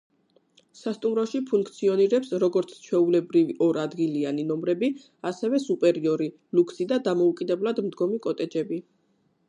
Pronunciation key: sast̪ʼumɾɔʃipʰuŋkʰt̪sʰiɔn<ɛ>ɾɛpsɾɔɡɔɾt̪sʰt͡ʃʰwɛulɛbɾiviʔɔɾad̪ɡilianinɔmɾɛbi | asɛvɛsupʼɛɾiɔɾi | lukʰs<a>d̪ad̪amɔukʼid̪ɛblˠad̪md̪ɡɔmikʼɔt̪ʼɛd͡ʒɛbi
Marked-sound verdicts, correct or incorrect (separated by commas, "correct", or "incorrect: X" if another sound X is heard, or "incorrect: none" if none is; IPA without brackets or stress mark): incorrect: i, incorrect: i